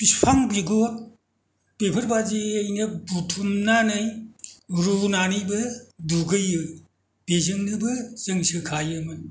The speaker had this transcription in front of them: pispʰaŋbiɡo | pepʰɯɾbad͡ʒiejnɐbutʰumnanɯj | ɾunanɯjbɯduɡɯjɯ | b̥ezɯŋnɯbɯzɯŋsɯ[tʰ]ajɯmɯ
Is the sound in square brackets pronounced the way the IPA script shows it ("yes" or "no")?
no